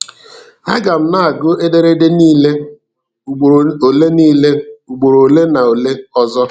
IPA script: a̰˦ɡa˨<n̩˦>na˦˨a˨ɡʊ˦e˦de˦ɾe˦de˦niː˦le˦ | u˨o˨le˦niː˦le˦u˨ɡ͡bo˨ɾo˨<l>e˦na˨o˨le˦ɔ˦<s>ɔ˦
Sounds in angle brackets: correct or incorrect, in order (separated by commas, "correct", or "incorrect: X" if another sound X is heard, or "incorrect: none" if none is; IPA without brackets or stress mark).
incorrect: m̩˦, correct, incorrect: z